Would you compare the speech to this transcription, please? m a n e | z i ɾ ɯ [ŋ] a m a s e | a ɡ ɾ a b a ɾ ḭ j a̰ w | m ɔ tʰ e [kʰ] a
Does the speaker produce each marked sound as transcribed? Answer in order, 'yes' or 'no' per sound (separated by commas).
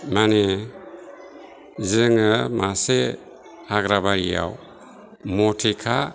yes, yes